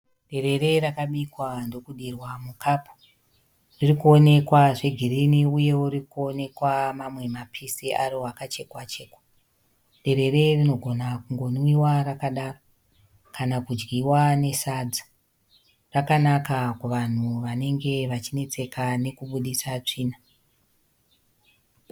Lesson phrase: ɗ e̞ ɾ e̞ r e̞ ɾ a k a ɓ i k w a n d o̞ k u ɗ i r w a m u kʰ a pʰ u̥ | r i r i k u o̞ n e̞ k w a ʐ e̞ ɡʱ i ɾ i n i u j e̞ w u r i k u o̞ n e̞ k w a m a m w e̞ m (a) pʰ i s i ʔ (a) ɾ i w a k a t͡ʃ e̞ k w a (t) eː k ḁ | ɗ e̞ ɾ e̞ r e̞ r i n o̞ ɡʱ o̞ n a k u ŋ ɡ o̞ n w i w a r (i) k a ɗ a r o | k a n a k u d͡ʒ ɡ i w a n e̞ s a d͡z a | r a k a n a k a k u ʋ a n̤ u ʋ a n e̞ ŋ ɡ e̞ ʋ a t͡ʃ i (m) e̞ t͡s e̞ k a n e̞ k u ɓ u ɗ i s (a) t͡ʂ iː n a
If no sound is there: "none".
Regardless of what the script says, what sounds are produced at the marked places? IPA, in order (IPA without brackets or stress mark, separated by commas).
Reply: a, a, t͡ʃ, a, n, a